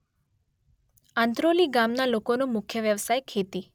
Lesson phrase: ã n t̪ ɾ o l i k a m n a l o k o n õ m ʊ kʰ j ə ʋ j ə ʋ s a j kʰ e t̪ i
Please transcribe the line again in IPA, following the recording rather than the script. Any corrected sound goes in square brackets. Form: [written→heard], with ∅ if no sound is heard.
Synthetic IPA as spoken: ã n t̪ ɾ o l i [k→ɡ] a m n a l o k o n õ m ʊ kʰ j ə ʋ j ə ʋ s a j kʰ e t̪ i

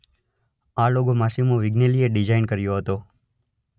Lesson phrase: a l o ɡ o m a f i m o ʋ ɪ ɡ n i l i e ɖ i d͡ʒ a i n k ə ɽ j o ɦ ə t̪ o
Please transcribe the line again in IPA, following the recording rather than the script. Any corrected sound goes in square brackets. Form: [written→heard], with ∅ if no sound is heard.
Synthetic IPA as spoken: a l o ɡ o m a [f→s] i m o ʋ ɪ ɡ n [i→e] l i e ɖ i d͡ʒ a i n k ə [ɽ→ɾ] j o ɦ ə t̪ o

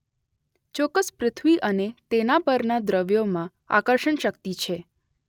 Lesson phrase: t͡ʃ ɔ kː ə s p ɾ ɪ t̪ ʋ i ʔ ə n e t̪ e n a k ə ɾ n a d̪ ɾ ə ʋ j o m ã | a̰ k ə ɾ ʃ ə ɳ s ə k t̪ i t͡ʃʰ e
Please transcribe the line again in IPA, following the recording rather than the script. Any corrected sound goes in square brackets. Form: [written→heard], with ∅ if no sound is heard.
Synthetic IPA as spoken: t͡ʃ ɔ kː ə s p ɾ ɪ [t̪→t̪ʰ] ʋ i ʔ ə n e t̪ e n a [k→p] ə ɾ n a d̪ ɾ ə ʋ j o m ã | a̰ k ə ɾ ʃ ə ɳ [s→ʃ] ə k t̪ i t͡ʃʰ e

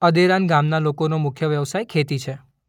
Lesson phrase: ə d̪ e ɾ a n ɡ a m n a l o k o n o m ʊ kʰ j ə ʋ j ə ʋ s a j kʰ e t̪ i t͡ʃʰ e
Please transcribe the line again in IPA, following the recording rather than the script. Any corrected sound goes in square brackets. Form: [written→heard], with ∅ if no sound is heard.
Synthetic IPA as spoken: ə d̪ e ɾ a n ɡ a m n a l o k o n o m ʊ kʰ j ə ʋ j ə ʋ s a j kʰ e t̪ i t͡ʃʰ e

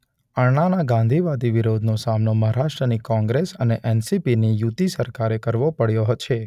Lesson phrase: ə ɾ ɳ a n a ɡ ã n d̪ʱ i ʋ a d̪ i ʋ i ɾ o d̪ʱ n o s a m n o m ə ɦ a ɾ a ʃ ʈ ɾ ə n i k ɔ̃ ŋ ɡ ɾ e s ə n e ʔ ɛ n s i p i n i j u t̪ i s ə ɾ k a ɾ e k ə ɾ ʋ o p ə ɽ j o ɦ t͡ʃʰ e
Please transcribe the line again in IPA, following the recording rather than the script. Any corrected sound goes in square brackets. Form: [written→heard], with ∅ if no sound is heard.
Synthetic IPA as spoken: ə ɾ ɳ a n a ɡ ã n d̪ʱ i ʋ a d̪ i ʋ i ɾ o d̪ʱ n o s a m n o m ə ɦ a ɾ a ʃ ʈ ɾ ə n i k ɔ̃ ŋ ɡ ɾ e s ə n e ʔ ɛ n s i p i n i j u t̪ i s ə ɾ k a ɾ e k ə ɾ ʋ o p ə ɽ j o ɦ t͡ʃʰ e

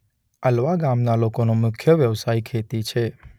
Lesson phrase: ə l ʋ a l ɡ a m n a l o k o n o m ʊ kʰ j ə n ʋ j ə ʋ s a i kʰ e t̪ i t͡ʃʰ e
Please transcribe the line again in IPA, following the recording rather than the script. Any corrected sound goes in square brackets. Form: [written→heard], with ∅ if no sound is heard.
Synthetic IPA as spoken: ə l ʋ a [l→∅] ɡ a m n a l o k o n o m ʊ kʰ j ə [n→∅] ʋ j ə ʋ s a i kʰ e t̪ i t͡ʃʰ e

